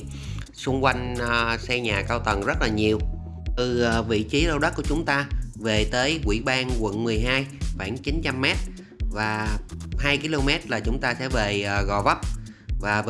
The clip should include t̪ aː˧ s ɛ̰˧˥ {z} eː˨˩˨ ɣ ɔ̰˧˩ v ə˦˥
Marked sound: incorrect: v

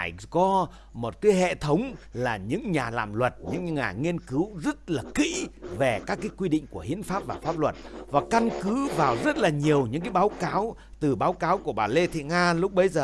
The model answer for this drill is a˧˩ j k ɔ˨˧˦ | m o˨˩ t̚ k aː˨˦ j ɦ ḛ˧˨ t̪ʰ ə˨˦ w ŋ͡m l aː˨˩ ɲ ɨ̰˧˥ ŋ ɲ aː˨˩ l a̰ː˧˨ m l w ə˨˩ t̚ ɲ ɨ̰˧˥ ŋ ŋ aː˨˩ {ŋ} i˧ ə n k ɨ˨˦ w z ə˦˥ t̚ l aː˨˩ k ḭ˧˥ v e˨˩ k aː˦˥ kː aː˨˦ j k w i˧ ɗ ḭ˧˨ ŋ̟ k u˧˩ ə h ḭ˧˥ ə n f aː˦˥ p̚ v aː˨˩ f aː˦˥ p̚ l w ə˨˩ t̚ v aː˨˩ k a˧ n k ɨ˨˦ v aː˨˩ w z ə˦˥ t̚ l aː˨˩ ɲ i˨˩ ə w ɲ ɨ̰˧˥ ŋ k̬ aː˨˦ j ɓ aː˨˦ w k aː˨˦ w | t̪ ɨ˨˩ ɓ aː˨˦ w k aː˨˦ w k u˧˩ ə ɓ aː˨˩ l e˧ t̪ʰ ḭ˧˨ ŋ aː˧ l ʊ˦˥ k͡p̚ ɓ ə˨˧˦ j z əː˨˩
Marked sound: correct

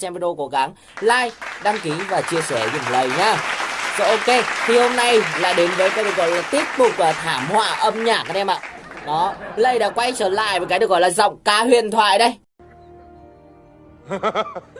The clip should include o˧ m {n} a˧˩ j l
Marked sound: correct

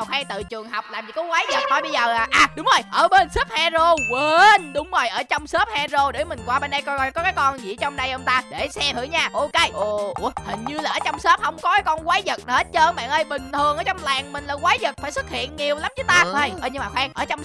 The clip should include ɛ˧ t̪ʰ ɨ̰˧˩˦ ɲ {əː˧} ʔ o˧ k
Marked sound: incorrect: aː˧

